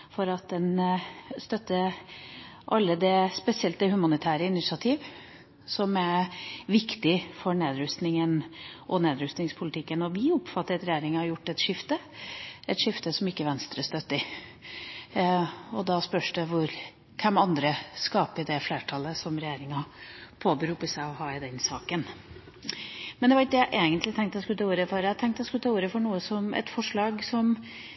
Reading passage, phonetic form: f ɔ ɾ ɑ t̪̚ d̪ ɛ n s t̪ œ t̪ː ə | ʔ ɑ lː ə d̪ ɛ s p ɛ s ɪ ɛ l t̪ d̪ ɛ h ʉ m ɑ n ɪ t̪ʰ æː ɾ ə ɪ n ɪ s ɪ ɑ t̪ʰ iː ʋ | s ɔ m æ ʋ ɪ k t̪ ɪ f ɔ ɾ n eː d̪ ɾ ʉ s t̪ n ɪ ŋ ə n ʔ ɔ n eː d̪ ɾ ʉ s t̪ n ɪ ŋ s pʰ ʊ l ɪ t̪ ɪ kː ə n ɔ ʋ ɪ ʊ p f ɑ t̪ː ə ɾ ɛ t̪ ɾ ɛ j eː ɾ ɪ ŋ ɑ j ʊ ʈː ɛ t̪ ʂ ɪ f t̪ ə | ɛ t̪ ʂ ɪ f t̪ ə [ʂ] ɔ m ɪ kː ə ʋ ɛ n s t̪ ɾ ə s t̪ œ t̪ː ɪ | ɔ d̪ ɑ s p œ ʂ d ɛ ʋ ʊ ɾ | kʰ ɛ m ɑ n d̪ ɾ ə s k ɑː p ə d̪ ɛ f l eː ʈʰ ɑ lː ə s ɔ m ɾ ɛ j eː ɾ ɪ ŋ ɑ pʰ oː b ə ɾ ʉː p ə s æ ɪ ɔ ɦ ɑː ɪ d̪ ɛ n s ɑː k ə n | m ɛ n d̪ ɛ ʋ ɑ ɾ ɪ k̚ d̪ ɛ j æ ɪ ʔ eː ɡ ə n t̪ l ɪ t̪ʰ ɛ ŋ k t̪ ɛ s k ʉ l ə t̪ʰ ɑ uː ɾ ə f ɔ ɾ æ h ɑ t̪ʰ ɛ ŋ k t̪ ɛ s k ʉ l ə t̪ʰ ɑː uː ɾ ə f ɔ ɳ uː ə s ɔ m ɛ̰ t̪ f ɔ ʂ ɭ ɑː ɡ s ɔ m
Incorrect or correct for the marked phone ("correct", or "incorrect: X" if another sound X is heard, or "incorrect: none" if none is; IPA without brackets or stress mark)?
incorrect: s